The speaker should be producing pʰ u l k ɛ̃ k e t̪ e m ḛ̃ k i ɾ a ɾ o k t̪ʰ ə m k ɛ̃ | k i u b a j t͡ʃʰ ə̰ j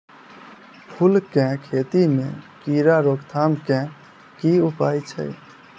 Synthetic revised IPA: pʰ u l k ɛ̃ kʰ e t̪ i m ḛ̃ k i ɾ a ɾ o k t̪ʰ a m k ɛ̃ | k i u p a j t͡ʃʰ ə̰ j